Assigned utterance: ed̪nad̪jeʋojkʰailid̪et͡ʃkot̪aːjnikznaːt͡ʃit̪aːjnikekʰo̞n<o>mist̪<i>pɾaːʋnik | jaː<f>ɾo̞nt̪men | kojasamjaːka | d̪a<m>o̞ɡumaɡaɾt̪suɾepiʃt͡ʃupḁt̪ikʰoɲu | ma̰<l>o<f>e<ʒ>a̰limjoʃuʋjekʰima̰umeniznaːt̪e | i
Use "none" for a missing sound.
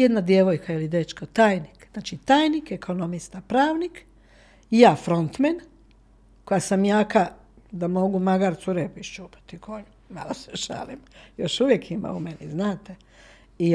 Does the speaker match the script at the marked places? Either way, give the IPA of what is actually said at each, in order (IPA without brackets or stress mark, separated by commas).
o, a, f, m, l, s, ʃ